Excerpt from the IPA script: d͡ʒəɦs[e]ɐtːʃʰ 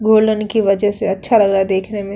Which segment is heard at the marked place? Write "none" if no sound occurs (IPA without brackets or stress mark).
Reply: e